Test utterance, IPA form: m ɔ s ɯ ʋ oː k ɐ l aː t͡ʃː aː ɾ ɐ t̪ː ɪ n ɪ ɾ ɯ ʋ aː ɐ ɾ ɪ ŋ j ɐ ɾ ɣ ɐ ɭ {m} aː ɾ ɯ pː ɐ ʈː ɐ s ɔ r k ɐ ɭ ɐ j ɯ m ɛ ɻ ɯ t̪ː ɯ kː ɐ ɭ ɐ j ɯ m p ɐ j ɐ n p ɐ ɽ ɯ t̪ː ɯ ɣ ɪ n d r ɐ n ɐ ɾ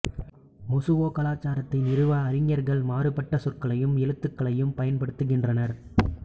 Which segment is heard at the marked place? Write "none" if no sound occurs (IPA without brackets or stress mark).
m